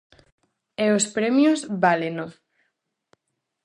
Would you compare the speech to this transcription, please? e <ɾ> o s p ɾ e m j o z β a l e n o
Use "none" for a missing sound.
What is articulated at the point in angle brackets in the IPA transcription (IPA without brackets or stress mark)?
none